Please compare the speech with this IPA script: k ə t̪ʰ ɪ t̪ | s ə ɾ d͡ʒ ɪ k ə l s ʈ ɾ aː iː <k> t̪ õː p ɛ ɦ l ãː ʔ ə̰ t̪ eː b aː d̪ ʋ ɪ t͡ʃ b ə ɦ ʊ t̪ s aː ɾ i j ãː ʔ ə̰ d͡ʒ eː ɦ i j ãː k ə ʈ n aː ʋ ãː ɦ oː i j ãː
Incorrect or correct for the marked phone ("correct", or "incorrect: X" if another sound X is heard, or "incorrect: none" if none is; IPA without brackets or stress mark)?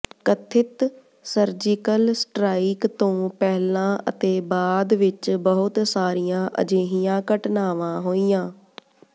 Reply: correct